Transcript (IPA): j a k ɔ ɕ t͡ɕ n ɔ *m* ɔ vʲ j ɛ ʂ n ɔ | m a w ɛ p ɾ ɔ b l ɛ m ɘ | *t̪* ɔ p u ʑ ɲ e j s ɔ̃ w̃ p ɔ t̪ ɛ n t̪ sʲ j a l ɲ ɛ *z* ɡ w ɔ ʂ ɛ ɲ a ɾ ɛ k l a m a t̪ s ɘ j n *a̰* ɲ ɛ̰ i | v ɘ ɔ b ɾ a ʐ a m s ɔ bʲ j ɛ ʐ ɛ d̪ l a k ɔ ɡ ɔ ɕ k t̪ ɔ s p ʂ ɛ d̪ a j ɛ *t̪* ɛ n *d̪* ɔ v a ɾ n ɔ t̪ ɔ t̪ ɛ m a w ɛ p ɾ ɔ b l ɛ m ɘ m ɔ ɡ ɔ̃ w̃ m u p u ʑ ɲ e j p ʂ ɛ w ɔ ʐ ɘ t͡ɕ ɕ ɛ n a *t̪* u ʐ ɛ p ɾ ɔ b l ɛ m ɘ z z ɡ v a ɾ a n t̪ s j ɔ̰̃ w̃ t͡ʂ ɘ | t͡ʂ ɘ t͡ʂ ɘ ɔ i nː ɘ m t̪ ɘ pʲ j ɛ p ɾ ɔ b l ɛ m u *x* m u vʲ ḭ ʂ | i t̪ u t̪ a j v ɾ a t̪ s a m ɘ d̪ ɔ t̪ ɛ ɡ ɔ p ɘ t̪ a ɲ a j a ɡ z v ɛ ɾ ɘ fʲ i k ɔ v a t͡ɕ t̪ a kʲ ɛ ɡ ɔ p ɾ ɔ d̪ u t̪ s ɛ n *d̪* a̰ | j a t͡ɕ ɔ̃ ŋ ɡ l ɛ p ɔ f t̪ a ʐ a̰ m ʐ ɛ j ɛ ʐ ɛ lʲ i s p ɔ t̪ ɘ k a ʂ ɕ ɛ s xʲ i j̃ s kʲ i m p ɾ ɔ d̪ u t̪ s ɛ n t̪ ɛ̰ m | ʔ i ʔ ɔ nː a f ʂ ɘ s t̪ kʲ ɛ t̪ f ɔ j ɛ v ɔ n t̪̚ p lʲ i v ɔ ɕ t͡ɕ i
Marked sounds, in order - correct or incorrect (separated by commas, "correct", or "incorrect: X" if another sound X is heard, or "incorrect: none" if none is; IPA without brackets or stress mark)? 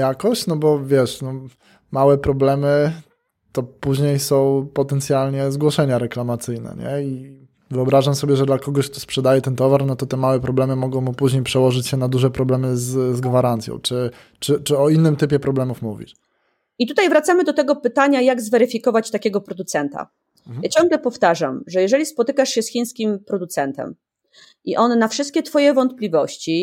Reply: incorrect: b, correct, correct, incorrect: ɛ̰, correct, incorrect: t̪, incorrect: d̪, incorrect: f, incorrect: t̪